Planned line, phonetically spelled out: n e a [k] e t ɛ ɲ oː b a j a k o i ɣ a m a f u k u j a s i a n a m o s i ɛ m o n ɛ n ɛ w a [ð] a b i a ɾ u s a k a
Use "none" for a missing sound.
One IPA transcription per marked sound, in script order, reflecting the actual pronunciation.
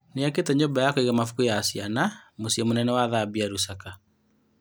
k, ð

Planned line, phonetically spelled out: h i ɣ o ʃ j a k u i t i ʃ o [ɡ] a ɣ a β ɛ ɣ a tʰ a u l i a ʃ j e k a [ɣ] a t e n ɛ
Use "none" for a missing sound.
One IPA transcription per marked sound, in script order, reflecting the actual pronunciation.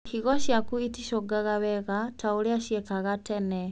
ɡ, ɣ

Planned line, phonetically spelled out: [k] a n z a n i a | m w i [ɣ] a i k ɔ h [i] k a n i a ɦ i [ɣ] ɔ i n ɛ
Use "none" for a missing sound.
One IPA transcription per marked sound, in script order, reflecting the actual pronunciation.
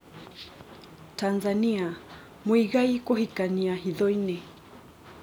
t, ɣ, i, ð

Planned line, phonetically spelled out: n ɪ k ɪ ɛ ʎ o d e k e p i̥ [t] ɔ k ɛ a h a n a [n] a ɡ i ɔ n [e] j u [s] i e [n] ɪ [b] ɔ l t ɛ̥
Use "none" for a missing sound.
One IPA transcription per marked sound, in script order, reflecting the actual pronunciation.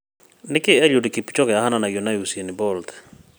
t͡ʃ, n, a, s, n, b

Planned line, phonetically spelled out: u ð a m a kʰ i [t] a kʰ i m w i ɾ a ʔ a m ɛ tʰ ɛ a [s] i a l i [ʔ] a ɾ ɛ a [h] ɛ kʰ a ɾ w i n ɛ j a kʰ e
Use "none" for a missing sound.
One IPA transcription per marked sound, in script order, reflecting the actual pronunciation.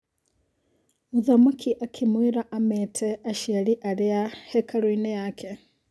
ʔ, ʃ, ʔ, h

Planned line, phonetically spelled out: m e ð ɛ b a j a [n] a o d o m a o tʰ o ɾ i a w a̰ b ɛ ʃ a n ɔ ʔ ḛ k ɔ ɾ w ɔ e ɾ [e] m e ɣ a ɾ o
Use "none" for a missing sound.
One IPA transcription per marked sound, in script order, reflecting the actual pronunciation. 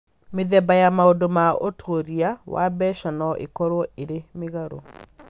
m, e

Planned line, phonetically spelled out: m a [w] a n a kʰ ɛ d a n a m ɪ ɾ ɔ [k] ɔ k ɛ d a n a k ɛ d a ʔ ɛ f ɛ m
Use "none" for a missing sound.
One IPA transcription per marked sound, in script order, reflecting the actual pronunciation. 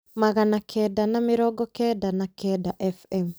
ɣ, ɡ

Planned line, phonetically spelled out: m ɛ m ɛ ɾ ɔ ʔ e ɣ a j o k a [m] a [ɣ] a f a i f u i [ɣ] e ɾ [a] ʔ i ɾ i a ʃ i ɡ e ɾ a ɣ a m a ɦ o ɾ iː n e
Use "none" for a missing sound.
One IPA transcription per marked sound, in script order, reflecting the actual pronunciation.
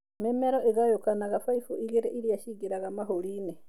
n, ɣ, ɣ, e

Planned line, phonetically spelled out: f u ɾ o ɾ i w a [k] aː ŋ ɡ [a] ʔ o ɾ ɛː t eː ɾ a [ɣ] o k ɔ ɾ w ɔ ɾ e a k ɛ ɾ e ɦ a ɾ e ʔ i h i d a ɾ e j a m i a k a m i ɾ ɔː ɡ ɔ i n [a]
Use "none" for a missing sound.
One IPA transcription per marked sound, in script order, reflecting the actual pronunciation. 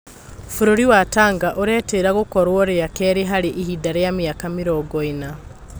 t, a, ɣ, a

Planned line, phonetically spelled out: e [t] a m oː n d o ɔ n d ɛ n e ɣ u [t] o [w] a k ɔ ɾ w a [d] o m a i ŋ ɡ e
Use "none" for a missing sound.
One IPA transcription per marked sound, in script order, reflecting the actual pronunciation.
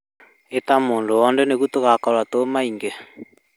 t, t, ɣ, t

